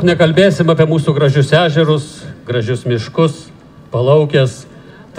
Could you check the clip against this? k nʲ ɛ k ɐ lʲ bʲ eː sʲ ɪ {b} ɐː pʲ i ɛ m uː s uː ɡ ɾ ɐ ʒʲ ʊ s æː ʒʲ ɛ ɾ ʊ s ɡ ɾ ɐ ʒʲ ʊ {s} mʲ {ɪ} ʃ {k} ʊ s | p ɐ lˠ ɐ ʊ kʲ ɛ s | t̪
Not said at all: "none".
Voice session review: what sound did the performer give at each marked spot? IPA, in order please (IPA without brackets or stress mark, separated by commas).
m, s, ɪ, k